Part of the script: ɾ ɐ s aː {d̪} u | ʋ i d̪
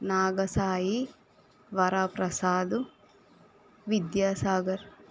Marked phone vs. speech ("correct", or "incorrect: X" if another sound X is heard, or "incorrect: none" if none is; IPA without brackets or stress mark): correct